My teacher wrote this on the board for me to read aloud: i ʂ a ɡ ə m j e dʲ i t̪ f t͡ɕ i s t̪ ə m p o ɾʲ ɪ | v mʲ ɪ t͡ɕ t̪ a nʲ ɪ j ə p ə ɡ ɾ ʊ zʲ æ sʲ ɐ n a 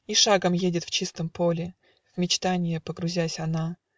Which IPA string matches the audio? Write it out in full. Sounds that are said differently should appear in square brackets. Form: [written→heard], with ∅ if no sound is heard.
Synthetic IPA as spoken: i ʂ a ɡ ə m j e dʲ [i→ɪ] t̪ f t͡ɕ i s t̪ ə m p o [ɾʲ→lʲ] ɪ | v mʲ ɪ t͡ɕ t̪ a nʲ ɪ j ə p ə ɡ ɾ ʊ zʲ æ sʲ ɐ n a